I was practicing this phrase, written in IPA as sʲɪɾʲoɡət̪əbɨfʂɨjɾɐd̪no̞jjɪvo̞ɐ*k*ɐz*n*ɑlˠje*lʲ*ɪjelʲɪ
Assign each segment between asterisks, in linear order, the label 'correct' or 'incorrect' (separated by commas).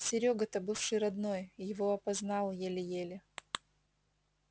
incorrect, correct, correct